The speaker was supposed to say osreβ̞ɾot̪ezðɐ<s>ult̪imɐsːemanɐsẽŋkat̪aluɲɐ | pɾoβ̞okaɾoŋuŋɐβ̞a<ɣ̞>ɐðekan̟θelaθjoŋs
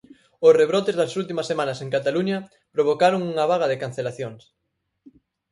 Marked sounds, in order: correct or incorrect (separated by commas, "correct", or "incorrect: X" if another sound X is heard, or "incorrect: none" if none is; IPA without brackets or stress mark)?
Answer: correct, correct